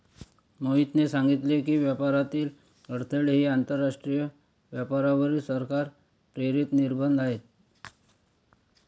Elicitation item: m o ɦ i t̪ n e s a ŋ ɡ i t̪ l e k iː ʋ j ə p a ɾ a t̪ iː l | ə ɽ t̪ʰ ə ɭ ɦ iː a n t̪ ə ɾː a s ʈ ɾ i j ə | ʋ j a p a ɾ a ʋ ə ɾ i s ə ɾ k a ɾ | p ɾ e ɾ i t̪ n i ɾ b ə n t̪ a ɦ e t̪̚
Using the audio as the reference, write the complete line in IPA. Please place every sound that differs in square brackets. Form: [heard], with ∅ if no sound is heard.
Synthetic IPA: m o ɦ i t̪ n e s a ŋ ɡ i t̪ l e k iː ʋ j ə p a ɾ a t̪ iː l | ə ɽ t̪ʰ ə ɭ ɦ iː a n t̪ ə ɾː a [ʂ] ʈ ɾ i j ə | ʋ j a p a ɾ a ʋ ə ɾ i s ə ɾ k a ɾ | p ɾ e ɾ i t̪ n i ɾ b ə n [d̪] a ɦ e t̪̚